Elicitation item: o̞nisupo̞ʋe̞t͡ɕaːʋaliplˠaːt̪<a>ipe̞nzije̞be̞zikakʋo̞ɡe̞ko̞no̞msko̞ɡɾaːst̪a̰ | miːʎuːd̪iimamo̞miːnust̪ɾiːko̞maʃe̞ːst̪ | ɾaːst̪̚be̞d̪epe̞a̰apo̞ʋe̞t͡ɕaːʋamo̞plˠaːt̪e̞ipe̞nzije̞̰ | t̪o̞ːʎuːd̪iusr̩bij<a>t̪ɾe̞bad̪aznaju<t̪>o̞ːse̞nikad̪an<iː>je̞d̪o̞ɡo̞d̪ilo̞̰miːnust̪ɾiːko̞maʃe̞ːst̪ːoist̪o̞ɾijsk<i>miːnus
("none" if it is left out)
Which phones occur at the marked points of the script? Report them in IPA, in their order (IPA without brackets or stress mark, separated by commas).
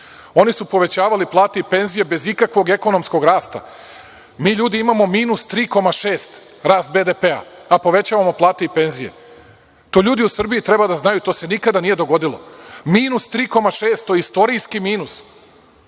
e, i, t̪, i, i